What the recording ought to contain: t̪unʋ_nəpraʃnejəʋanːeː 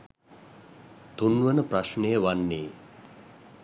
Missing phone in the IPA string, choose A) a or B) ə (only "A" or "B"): B